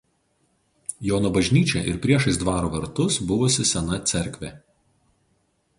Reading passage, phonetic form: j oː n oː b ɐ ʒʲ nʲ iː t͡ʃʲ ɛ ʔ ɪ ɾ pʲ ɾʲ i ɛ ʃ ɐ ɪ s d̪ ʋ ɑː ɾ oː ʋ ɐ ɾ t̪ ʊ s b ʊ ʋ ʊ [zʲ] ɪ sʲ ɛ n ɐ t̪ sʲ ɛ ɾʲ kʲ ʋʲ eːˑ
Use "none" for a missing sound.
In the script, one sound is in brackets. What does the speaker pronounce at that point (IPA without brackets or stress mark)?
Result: sʲ